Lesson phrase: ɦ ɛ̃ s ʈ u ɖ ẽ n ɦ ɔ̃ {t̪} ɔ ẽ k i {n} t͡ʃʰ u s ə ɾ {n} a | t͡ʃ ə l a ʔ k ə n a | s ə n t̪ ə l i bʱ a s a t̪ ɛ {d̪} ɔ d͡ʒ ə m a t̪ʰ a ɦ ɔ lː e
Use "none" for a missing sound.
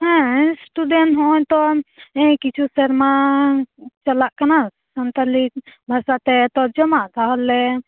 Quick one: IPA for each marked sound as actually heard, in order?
t̪, none, m, t̪

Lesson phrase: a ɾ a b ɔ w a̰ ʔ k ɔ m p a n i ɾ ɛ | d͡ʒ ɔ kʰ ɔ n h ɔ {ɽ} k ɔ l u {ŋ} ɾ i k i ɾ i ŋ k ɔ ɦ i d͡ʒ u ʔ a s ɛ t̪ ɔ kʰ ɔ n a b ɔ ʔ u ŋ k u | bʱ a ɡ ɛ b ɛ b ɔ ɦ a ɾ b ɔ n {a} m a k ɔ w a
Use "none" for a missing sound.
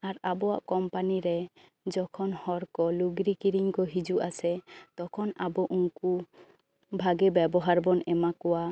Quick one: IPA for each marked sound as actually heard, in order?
ɾ, ɡ, ɛ

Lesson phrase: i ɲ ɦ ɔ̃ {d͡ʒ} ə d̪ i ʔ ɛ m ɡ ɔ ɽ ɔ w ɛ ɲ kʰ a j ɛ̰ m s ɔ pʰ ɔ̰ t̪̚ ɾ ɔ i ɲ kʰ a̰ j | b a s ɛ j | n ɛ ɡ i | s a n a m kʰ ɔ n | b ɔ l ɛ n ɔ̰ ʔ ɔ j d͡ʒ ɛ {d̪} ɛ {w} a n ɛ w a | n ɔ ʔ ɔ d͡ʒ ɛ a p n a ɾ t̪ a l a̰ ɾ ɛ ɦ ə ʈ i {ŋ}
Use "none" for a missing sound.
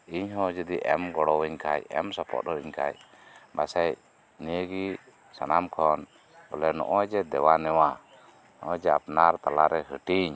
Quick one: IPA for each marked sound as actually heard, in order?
d͡ʒ, d̪, w, ɲ

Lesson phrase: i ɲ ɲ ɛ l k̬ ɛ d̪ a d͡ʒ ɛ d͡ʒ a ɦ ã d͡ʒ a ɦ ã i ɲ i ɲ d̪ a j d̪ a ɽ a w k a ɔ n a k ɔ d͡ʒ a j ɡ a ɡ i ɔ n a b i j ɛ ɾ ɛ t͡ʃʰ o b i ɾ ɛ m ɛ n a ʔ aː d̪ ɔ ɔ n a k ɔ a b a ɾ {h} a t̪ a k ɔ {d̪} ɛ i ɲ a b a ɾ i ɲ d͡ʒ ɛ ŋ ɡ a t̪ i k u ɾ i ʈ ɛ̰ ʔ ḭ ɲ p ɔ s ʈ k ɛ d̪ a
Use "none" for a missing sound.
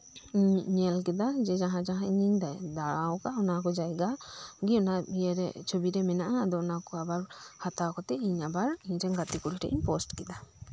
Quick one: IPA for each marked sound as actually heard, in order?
h, t̪

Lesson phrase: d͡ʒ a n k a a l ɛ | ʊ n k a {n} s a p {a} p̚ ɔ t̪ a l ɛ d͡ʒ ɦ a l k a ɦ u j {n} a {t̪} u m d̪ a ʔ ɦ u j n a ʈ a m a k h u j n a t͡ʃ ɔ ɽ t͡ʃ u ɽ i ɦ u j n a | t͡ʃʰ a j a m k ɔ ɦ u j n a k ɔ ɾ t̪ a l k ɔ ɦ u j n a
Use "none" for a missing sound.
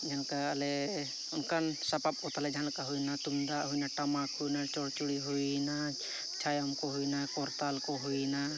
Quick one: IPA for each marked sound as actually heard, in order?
n, a, n, t̪

